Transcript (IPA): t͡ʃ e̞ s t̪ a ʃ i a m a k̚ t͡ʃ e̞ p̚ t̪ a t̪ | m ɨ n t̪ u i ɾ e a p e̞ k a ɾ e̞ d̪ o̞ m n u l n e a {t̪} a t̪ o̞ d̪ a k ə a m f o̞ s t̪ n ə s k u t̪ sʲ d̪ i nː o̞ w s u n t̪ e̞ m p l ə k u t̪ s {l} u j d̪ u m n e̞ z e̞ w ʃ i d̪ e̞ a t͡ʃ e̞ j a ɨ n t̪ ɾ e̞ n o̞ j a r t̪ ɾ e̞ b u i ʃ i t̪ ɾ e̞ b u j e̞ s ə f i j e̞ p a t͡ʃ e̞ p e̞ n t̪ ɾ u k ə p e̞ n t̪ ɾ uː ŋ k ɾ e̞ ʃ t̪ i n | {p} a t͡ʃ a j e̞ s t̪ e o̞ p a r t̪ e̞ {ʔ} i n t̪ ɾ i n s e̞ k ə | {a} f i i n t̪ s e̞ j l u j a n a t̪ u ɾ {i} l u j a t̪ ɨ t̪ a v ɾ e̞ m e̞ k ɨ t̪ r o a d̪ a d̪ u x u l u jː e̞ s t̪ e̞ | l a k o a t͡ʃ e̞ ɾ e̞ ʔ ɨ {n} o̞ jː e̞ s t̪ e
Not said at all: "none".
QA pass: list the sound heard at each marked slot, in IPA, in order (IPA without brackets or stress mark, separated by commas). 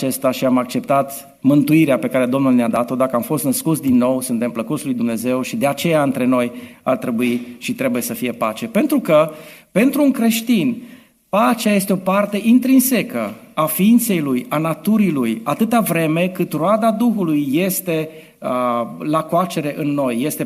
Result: d̪, l, p, ʔ, a, i, nː